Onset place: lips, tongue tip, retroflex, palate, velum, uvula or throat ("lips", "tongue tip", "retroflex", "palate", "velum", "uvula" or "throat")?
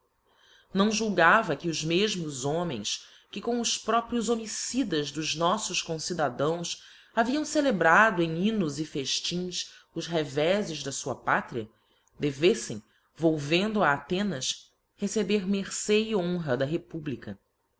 tongue tip